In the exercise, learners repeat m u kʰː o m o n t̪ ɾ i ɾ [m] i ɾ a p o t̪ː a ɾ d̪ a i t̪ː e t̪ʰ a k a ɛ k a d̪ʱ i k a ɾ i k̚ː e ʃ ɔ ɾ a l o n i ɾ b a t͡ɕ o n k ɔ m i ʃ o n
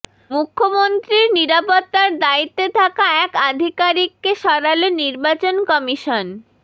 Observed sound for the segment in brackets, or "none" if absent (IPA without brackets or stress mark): n